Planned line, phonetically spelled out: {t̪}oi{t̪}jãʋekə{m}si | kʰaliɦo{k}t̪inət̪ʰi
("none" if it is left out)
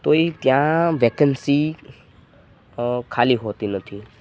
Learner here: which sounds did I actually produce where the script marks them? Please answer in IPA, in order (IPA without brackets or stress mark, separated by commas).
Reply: t̪, t̪, n, none